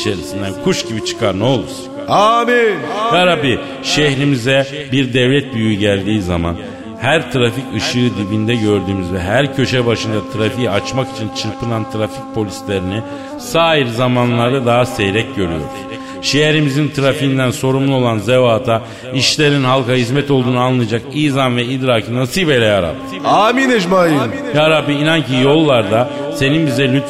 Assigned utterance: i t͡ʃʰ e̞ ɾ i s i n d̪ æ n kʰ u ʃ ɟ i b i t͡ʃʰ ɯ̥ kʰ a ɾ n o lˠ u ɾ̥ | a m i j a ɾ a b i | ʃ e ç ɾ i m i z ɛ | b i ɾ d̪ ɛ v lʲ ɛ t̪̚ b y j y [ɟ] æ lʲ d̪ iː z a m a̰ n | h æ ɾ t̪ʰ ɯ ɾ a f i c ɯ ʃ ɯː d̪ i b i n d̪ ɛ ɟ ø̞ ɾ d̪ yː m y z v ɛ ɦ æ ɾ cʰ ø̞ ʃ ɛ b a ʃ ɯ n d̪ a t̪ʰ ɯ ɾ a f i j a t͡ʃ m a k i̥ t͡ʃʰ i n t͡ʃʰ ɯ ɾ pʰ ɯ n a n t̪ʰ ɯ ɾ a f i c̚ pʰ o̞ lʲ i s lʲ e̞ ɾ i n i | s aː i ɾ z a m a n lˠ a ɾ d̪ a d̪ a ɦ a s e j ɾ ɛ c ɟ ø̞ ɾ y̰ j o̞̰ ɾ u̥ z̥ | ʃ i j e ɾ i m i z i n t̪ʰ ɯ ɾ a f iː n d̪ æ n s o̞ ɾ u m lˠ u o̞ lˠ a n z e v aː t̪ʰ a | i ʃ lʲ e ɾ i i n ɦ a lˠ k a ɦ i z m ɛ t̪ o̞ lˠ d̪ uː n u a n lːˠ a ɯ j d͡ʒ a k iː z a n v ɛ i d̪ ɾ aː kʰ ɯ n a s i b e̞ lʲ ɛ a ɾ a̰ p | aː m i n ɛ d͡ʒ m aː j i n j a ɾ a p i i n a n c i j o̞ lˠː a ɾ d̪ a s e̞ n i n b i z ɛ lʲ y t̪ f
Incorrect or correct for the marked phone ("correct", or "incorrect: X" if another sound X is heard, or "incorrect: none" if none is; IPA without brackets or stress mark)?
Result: correct